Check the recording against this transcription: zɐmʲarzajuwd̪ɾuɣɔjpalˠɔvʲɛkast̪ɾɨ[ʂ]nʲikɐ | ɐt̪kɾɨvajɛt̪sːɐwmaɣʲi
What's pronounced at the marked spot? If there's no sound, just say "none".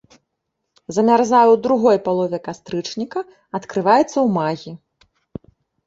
t͡ʂ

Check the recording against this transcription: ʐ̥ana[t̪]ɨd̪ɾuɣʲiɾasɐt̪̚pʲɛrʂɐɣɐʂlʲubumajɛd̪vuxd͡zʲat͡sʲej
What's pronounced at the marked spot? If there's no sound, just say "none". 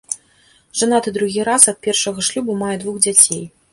t̪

